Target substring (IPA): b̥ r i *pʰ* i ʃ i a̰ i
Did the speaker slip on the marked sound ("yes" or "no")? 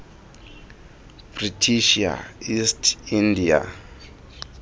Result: yes